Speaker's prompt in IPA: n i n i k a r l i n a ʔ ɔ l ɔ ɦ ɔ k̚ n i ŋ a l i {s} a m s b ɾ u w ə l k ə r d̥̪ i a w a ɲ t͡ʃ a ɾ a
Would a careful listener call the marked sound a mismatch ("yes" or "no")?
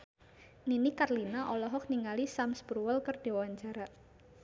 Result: no